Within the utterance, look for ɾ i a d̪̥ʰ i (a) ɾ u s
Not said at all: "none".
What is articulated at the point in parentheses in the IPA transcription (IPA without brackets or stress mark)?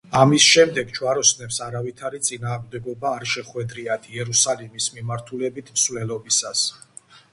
ɛ